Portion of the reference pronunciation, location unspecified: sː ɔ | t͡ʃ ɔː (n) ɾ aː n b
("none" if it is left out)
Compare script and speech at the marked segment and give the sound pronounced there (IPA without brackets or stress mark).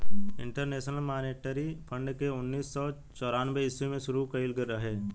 none